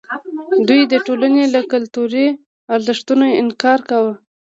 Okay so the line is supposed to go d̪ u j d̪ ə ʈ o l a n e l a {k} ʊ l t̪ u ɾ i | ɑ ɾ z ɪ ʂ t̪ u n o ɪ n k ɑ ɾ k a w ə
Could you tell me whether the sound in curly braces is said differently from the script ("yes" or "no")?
no